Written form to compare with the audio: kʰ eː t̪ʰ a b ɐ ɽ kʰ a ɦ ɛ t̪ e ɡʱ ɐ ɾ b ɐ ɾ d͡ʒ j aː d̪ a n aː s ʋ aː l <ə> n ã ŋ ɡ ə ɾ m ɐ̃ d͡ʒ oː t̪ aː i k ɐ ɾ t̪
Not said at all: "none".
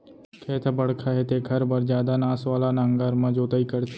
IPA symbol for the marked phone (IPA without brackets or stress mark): a